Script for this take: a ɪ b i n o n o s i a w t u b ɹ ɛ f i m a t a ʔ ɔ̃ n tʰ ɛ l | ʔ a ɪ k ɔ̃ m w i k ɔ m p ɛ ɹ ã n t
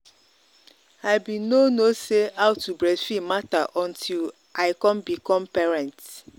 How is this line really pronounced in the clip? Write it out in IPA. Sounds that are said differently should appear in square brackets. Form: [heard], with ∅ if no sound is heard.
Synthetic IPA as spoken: a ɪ b i n o n o s [e] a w t u b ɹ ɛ f i m a t a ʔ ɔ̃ n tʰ [i] l | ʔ a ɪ k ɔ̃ m [b] i k ɔ m p ɛ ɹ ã n t

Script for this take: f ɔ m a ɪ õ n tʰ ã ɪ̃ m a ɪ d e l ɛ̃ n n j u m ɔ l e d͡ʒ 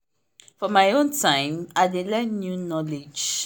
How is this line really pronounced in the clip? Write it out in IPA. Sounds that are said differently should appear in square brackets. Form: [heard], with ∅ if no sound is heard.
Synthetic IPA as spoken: f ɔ m a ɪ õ n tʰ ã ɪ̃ m a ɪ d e l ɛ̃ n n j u [n] ɔ l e d͡ʒ

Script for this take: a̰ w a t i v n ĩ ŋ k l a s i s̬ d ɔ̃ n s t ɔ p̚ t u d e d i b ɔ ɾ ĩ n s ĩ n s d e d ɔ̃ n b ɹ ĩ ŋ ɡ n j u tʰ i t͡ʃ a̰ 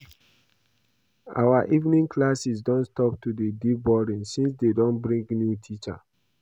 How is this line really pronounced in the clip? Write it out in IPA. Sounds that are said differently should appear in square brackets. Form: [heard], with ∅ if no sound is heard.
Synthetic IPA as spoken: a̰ w a [ʔ] i v n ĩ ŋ k l a s i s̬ d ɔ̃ n s t ɔ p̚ t u d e d i b ɔ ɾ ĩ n s ĩ n s d e d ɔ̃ n b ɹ ĩ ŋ ɡ n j u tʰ i t͡ʃ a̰

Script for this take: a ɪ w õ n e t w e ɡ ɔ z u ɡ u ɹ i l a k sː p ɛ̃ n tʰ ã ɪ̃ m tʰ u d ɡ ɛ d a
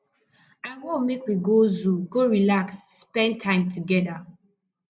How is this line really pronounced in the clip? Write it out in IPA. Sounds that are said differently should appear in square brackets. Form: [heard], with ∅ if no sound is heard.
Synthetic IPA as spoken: a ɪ w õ [m] e [k] w [i] ɡ [o] z u ɡ [o] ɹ i l a k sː p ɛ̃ n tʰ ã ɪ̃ m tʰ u [∅] ɡ ɛ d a

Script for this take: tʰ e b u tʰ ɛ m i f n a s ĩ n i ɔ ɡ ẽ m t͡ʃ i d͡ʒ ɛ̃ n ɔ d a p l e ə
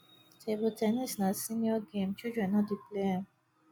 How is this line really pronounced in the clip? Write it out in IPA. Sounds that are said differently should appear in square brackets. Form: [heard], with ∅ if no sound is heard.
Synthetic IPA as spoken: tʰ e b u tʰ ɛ [n] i [s] n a s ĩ n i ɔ ɡ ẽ m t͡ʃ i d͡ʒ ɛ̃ n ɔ d [i] p l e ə

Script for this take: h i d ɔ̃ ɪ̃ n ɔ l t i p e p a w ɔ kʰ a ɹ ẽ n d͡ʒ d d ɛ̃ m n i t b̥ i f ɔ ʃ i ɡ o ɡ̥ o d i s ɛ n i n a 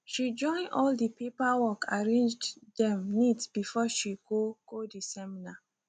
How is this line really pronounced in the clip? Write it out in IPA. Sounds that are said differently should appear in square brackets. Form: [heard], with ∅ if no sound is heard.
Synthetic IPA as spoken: [ʃ] i [d͡ʒ] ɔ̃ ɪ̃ n ɔ l [d] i p e p a w ɔ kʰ a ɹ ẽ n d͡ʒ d d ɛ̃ m n i t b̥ i f ɔ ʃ i ɡ o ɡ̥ o d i s ɛ [m] i n a

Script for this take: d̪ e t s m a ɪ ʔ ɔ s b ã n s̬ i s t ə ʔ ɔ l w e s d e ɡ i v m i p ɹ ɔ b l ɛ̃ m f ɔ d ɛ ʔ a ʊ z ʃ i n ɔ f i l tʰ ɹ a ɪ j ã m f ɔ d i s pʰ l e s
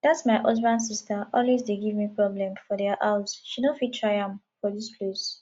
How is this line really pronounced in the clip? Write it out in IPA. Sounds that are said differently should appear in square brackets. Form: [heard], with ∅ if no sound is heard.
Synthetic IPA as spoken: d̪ [a] t s m a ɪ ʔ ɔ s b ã n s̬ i s t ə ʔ ɔ l w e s d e ɡ i v m i p ɹ ɔ b l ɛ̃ m f ɔ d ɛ ʔ a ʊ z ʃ i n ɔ f i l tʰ ɹ a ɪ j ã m f ɔ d i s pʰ l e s

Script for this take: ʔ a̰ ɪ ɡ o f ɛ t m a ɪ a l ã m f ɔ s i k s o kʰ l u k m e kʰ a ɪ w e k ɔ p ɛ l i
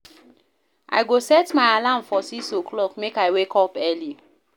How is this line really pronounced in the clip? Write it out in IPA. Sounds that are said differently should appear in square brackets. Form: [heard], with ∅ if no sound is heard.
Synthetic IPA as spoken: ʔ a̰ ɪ ɡ o [s] ɛ t m a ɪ a l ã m f ɔ s i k s o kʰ l [ɔ] k m e [k] a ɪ w e k ɔ p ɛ l i

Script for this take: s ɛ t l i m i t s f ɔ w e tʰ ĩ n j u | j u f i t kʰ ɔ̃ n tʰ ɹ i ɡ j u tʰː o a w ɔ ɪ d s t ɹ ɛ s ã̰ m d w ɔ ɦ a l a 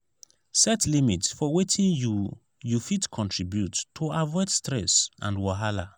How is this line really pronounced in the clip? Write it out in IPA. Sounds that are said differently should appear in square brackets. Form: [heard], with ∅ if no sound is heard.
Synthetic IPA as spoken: s ɛ t l i m i t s f ɔ w e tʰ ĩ n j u | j u f i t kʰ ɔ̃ n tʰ ɹ i [b] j u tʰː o a [v] ɔ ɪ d s t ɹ ɛ s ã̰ [n] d w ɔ ɦ a l a

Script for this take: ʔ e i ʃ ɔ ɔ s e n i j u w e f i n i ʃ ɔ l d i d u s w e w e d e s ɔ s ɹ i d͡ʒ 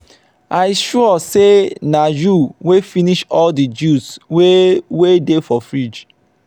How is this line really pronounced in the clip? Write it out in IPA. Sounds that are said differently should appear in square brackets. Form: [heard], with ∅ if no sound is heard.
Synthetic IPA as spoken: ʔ [a] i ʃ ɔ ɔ s e n [a] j u w e f i n i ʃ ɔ l d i [d͡ʒ] u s w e w e d e [f] ɔ [f] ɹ i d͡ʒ

